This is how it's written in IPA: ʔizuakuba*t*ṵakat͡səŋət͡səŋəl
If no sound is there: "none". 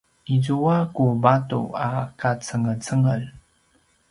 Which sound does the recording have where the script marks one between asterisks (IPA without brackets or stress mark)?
t